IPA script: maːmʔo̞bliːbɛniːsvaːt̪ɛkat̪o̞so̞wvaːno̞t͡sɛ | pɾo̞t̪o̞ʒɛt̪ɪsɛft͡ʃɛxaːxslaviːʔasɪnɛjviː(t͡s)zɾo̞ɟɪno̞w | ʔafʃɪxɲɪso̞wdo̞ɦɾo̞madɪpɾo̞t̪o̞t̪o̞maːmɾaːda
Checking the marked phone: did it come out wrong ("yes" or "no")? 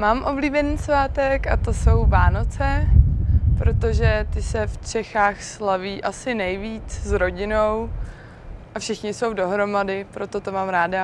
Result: no